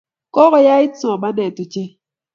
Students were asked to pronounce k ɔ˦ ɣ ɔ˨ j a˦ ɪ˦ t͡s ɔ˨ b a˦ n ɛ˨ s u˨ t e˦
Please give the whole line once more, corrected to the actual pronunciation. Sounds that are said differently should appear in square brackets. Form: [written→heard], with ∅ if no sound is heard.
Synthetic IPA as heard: k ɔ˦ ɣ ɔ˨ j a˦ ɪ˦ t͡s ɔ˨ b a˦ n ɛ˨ [s→t] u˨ [t→t͡ʃ] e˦